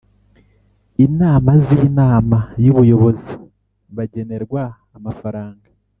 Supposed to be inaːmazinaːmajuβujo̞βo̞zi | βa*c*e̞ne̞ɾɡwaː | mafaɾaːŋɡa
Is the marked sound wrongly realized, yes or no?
yes